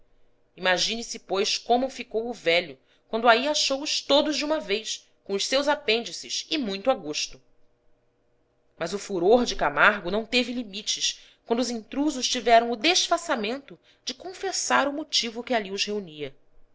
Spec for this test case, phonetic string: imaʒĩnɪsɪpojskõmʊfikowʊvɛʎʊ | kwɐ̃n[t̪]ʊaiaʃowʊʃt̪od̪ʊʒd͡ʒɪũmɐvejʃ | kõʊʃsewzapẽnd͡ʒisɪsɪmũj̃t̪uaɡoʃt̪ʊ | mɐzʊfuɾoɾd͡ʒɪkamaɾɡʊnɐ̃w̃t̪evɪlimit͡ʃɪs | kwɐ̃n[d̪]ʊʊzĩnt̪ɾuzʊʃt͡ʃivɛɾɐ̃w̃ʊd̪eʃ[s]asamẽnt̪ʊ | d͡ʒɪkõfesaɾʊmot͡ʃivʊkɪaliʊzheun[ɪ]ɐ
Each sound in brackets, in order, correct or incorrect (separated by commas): incorrect, correct, incorrect, incorrect